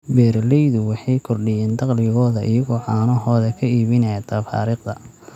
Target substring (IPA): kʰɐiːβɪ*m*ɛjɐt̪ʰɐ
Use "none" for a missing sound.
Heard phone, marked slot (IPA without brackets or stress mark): n